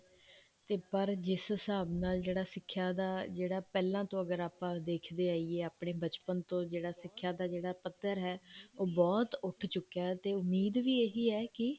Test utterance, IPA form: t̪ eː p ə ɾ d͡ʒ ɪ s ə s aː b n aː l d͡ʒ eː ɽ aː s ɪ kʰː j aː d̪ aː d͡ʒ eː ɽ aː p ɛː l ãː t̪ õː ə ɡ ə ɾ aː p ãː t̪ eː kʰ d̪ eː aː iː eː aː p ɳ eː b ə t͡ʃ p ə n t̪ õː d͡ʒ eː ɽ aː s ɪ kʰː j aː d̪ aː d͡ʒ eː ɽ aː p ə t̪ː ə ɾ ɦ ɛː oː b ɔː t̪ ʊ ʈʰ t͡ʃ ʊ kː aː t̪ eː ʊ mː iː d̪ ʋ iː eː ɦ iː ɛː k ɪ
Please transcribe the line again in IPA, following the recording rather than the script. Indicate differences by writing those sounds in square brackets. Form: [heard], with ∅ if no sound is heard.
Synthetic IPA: t̪ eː p ə ɾ d͡ʒ ɪ s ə s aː b n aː l d͡ʒ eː ɽ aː s ɪ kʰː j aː d̪ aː d͡ʒ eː ɽ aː p ɛː l ãː t̪ õː ə ɡ ə ɾ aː p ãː [d̪] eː kʰ d̪ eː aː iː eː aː p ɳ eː b ə t͡ʃ p ə n t̪ õː d͡ʒ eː ɽ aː s ɪ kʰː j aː d̪ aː d͡ʒ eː ɽ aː p ə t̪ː ə ɾ ɦ ɛː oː b ɔː t̪ ʊ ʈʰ t͡ʃ ʊ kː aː t̪ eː ʊ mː iː d̪ ʋ iː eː ɦ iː ɛː k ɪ